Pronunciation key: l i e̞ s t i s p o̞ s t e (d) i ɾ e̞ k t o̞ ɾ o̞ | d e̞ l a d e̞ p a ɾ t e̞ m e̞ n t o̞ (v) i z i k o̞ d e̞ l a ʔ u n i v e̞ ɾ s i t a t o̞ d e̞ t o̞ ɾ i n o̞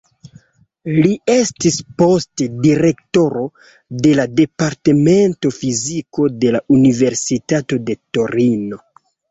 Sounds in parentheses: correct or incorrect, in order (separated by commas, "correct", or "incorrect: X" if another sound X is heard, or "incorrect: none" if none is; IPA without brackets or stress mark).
correct, incorrect: f